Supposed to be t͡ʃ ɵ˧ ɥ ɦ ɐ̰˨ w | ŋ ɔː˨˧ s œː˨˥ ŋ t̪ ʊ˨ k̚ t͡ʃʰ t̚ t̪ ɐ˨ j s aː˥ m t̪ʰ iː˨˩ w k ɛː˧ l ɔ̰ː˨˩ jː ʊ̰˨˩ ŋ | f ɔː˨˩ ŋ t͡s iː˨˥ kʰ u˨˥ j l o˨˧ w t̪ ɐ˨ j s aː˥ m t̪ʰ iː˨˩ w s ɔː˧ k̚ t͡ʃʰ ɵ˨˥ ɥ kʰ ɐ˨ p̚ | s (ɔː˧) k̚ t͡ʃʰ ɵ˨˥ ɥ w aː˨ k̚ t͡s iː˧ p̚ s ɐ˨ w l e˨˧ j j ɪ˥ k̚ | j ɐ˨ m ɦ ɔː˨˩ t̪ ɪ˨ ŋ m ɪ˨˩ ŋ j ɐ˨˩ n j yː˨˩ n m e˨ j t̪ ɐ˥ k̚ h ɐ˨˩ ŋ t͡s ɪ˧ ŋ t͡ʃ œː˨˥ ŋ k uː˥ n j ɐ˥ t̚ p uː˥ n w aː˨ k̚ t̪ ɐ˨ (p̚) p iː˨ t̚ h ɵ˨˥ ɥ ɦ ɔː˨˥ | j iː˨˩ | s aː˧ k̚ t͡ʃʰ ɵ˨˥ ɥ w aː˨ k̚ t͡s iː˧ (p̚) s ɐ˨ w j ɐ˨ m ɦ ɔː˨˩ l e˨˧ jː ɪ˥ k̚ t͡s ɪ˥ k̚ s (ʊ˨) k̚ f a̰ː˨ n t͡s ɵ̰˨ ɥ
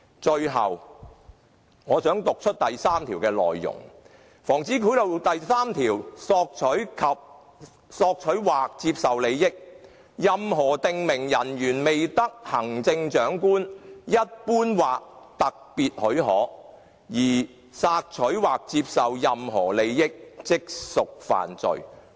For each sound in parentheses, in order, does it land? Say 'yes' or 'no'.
yes, no, yes, yes

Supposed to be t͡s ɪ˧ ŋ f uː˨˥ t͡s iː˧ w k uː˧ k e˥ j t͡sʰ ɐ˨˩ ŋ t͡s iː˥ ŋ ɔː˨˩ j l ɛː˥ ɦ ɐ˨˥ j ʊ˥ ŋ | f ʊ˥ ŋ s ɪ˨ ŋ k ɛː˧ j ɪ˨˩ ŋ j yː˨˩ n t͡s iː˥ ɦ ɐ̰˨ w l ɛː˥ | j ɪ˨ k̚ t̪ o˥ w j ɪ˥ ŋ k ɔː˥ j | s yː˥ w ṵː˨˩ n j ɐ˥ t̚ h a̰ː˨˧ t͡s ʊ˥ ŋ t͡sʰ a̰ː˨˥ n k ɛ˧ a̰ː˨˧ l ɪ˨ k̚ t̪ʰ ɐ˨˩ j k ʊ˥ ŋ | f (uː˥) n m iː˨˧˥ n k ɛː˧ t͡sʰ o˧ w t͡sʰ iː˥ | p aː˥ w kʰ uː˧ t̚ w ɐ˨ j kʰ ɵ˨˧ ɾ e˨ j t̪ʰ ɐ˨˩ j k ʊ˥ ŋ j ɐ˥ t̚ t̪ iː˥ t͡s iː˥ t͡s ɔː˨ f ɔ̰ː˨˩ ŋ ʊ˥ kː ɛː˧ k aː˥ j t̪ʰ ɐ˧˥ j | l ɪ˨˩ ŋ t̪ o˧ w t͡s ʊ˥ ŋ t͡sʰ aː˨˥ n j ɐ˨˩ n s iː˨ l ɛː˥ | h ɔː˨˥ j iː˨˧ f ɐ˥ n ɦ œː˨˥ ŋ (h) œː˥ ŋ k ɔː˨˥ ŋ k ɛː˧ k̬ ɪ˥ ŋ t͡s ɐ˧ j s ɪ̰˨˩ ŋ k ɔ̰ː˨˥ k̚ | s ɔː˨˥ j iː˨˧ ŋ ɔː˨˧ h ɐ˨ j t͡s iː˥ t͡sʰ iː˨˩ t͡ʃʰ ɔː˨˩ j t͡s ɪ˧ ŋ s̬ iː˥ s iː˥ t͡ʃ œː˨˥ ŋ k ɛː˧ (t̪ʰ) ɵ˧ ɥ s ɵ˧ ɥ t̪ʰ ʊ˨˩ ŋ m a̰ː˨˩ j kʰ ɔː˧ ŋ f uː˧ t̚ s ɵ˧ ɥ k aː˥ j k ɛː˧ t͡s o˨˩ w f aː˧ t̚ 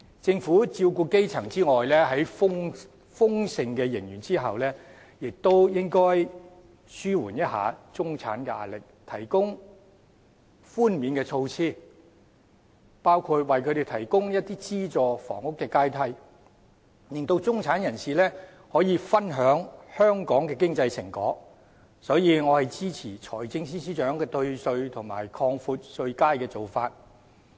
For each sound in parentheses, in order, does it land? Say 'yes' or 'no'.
yes, yes, no

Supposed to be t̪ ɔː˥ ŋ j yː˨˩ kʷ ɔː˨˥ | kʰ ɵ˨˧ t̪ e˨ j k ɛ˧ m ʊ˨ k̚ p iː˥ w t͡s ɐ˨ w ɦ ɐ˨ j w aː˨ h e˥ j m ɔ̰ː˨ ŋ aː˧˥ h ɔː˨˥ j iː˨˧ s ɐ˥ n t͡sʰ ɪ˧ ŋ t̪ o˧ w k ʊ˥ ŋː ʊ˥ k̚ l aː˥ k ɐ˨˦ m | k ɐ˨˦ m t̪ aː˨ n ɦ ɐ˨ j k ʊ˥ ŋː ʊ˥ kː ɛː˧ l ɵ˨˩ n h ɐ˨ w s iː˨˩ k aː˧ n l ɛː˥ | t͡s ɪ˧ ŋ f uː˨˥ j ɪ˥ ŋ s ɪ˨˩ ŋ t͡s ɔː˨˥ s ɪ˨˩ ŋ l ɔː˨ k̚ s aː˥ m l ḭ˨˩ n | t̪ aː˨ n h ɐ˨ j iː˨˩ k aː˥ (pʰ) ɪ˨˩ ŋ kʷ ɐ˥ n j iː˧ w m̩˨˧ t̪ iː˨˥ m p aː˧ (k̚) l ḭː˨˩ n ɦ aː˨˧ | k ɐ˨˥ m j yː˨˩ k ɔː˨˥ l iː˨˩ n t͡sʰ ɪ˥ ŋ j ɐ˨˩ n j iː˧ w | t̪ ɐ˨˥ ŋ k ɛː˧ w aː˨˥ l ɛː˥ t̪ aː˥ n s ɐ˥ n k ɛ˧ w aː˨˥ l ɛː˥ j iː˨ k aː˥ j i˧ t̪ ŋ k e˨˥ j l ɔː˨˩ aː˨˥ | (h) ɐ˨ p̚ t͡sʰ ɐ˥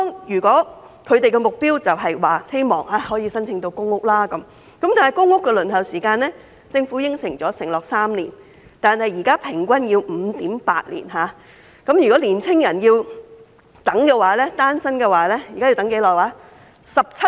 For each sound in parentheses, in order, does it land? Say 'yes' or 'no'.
yes, no, no

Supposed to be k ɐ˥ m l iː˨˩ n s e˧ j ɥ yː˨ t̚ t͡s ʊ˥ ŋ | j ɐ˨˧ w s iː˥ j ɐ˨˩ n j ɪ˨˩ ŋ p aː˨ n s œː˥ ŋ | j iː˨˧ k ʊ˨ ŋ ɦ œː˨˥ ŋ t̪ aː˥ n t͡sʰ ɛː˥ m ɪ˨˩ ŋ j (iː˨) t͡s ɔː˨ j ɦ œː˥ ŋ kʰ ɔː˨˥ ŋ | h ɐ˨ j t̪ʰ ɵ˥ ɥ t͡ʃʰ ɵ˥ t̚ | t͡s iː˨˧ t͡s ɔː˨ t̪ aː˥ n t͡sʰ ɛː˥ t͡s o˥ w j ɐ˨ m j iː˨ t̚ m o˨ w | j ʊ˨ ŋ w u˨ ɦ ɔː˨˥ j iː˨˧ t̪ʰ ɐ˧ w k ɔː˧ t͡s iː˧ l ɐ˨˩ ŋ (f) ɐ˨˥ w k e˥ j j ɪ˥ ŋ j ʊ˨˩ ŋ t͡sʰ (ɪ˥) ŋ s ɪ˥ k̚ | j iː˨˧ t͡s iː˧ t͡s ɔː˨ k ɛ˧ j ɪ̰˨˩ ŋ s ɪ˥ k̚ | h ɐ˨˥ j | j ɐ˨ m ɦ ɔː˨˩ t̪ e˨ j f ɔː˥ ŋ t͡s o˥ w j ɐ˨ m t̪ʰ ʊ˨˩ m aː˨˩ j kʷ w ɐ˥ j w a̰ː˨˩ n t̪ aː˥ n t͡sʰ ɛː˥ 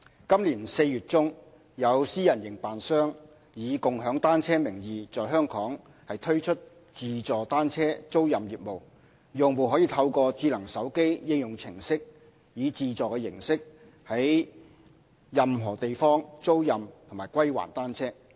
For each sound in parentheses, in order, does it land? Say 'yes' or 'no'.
yes, no, no

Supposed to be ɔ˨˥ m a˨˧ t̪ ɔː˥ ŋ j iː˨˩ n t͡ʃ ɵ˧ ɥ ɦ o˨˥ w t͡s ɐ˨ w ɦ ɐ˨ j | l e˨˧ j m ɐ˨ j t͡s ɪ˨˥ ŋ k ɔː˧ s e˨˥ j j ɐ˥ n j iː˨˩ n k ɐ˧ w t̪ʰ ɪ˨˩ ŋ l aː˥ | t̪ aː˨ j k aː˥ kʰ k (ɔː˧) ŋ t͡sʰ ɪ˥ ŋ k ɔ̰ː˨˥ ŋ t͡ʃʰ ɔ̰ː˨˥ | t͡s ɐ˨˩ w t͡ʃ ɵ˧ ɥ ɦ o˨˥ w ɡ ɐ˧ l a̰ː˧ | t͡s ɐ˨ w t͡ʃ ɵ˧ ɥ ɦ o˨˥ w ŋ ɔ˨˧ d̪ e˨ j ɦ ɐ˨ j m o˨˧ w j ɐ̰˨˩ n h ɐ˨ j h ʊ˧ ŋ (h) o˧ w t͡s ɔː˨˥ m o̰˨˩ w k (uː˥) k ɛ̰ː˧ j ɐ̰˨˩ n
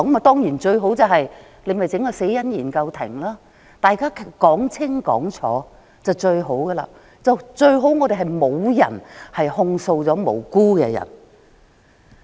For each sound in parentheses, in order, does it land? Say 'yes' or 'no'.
no, no, yes

